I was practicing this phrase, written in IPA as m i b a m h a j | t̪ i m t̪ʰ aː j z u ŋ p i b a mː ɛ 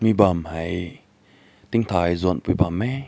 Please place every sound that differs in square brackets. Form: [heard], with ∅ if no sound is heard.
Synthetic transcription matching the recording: m i b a m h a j | t̪ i [ŋ] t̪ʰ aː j z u [n] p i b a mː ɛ

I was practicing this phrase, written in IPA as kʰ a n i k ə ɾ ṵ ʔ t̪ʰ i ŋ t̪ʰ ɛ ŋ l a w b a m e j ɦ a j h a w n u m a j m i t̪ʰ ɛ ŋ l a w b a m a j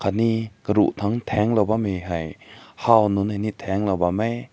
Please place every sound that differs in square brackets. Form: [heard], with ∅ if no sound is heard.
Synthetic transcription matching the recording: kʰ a n i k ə ɾ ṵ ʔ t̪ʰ [a] ŋ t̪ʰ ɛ ŋ l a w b a m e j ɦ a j h a w n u [n] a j [n] i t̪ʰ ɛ ŋ l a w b a m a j

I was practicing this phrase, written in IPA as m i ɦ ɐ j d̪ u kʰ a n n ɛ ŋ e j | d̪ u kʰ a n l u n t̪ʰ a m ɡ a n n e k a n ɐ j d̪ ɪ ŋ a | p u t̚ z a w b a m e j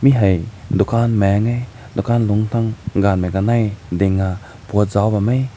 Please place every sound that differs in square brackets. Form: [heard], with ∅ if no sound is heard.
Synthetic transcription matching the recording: m i ɦ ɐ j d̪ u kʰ a n [m] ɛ ŋ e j | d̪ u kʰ a n l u [ŋ] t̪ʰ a [ŋ] ɡ a n [m] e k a n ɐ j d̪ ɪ ŋ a | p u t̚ z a w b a m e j

